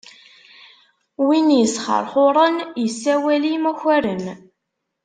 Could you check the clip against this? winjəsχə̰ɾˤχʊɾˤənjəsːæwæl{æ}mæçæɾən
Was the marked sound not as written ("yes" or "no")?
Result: yes